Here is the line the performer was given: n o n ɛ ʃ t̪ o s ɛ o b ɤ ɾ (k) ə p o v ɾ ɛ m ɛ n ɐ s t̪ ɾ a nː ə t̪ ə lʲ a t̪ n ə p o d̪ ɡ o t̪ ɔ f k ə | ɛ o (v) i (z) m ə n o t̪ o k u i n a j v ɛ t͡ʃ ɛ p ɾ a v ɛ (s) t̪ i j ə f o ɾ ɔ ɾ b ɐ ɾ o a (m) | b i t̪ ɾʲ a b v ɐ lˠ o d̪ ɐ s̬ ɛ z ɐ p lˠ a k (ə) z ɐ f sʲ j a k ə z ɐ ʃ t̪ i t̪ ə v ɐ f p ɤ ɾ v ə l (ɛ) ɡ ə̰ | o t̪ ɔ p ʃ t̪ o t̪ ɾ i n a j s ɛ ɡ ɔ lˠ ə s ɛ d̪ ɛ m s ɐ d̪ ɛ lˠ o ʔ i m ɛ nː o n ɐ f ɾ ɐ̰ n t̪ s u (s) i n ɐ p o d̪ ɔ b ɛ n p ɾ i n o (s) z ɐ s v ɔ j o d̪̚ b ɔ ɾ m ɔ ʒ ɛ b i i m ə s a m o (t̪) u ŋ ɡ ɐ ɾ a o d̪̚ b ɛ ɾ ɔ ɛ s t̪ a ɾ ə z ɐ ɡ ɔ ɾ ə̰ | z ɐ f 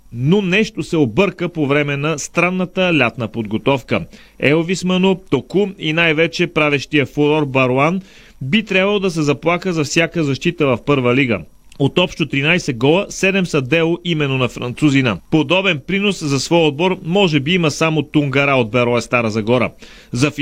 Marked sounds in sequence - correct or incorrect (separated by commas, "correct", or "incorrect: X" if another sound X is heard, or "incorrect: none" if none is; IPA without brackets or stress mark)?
correct, correct, incorrect: s, incorrect: ʃ, incorrect: n, correct, incorrect: i, incorrect: z, correct, correct